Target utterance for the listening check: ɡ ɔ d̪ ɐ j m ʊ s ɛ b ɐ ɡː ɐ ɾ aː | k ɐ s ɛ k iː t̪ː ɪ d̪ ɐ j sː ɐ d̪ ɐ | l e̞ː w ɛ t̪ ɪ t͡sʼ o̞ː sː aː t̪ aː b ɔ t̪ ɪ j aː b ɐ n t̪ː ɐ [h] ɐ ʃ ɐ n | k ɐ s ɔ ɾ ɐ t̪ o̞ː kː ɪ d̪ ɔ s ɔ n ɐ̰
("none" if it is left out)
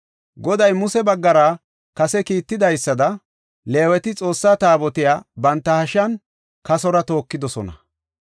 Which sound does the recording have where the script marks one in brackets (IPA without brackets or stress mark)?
h